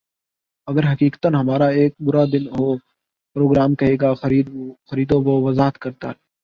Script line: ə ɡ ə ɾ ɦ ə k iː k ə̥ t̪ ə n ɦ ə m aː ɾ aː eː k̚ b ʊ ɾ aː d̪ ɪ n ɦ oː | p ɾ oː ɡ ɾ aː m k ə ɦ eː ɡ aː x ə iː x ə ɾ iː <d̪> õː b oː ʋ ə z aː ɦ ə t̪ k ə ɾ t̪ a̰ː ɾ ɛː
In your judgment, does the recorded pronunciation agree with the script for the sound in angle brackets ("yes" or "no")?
yes